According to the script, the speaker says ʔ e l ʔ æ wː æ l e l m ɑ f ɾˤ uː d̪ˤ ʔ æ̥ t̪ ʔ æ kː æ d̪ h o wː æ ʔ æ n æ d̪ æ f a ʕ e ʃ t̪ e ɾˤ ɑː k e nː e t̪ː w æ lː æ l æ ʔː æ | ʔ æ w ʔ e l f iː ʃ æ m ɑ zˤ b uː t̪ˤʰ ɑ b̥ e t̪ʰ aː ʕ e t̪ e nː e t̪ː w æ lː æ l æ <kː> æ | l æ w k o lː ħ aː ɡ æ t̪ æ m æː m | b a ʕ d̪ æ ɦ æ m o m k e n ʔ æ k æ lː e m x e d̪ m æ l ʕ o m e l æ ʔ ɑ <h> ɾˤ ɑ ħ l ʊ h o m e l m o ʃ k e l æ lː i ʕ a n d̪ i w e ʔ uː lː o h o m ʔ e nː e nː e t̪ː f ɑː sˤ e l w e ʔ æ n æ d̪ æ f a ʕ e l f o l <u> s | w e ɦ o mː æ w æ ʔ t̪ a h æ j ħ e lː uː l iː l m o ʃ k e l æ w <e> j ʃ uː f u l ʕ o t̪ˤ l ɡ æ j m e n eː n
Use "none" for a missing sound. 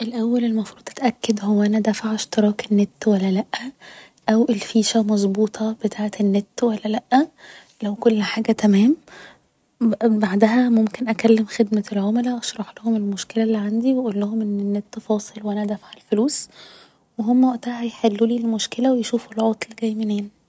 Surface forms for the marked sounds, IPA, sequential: ʔː, ʃ, uː, e

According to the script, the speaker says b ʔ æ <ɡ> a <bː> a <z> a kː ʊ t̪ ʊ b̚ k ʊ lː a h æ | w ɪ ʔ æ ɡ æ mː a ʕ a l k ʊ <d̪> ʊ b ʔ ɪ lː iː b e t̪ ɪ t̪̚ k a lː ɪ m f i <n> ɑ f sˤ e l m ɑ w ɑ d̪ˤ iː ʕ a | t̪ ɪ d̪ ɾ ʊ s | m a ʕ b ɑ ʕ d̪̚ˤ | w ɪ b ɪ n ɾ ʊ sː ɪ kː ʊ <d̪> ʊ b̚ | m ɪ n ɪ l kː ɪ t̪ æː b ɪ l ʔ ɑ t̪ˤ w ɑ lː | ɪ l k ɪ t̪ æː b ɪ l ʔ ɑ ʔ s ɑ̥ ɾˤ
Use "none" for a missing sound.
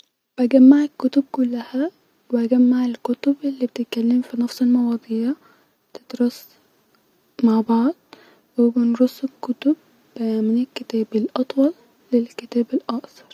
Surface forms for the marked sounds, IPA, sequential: ɡ, mː, ʕ, t̪, n, t̪

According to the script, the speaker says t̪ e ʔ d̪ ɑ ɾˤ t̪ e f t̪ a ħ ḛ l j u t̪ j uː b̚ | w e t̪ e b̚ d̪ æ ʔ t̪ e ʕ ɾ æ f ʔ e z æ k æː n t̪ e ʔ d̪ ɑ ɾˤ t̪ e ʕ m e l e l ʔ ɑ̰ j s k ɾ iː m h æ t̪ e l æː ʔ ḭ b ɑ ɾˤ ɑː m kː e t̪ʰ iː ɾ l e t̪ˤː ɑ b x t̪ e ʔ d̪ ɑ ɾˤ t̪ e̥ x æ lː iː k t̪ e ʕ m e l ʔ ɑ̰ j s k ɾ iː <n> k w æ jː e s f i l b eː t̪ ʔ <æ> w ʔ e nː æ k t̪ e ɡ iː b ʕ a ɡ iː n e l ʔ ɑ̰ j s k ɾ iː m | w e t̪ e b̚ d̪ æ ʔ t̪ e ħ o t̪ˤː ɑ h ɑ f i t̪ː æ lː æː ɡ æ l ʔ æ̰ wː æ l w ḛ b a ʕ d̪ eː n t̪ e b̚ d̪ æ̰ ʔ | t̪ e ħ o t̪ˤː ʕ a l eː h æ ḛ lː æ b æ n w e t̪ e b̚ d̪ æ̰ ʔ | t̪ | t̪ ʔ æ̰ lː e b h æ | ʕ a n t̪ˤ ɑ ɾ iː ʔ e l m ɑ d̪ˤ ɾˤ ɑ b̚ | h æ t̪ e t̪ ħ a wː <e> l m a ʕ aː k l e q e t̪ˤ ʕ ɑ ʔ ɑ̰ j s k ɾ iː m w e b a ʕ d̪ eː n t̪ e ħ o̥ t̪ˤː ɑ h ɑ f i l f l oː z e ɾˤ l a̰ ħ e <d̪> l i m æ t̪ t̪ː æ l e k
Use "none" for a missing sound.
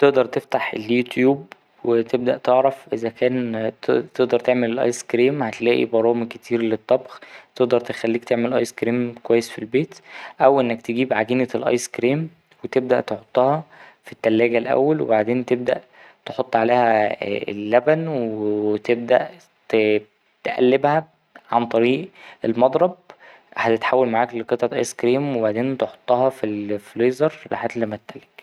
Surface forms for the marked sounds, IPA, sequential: m, æ, æ, t̪

